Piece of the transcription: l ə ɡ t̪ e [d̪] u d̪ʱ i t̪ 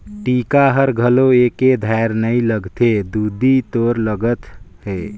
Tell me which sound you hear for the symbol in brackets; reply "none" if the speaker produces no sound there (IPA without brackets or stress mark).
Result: d̪